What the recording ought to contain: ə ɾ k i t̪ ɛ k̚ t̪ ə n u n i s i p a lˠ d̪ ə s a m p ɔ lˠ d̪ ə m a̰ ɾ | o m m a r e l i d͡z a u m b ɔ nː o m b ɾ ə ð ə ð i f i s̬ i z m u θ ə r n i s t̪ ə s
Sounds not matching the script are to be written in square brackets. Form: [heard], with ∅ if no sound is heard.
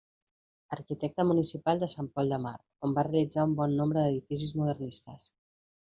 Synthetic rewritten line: ə ɾ k i t̪ ɛ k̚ t̪ ə [m] u n i s i p a lˠ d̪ ə s a m p ɔ lˠ d̪ ə m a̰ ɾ | o m [b] a r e l i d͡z a u m b ɔ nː o m b ɾ ə ð ə ð i f i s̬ i z m u [ð] ə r n i s t̪ ə s